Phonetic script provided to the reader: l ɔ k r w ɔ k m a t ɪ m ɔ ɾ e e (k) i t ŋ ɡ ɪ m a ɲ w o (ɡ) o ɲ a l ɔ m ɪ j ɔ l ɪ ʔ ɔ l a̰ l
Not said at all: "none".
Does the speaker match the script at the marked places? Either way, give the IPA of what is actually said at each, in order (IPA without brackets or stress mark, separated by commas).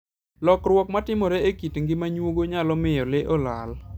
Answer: k, ɡ